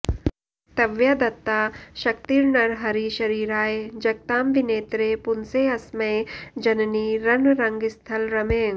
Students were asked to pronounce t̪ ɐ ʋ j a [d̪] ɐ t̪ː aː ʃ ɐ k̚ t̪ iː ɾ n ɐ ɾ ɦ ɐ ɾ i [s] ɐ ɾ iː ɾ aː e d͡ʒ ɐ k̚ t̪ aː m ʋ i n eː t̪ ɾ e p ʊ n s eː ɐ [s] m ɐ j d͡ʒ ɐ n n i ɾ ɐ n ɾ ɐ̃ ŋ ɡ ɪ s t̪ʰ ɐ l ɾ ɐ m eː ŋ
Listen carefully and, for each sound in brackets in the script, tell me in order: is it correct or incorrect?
correct, incorrect: ʃ, correct

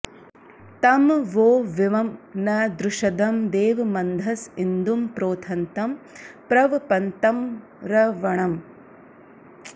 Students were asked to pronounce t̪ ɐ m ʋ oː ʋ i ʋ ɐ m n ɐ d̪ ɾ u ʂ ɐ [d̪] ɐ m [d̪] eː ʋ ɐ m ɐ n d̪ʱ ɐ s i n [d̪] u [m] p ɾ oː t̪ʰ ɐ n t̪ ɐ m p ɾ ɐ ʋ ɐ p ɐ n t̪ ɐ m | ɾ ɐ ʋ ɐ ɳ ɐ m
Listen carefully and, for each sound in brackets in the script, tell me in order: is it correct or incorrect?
correct, correct, correct, correct

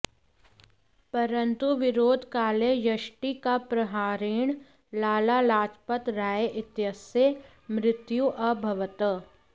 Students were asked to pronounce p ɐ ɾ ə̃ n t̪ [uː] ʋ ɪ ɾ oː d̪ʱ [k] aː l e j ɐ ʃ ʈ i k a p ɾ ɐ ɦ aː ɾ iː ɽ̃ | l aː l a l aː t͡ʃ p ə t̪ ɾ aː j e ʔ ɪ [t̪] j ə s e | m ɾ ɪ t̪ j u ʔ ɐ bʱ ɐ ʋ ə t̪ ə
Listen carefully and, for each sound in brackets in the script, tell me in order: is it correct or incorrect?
incorrect: u, correct, correct

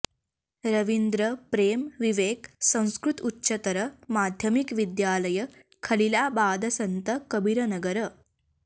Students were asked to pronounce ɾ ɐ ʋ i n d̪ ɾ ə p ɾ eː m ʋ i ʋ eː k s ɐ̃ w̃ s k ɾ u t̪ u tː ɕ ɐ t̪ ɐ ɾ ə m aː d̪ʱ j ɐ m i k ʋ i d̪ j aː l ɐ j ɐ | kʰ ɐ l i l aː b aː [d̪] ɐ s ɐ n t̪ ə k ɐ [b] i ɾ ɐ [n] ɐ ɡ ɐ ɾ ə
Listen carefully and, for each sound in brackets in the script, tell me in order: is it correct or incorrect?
correct, correct, correct

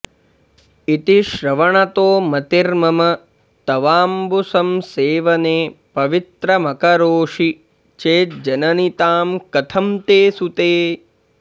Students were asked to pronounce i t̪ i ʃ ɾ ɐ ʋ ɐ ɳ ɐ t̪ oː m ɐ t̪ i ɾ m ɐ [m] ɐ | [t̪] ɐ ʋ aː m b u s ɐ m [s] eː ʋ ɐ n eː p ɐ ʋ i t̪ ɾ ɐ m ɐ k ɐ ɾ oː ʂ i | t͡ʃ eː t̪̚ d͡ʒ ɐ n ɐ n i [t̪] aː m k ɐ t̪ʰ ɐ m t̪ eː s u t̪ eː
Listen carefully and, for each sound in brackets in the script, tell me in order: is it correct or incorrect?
correct, correct, correct, correct

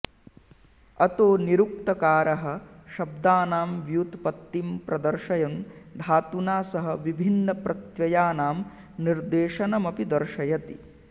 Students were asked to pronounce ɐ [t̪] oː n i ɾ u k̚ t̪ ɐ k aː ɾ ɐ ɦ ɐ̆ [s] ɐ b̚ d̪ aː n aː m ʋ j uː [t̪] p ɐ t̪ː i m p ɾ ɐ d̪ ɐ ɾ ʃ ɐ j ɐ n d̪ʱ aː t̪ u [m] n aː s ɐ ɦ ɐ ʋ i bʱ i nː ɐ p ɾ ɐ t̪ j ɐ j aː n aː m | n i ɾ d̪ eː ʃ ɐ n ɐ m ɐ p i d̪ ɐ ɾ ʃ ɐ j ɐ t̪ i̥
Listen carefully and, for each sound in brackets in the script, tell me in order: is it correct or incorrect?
correct, incorrect: ʃ, correct, incorrect: none

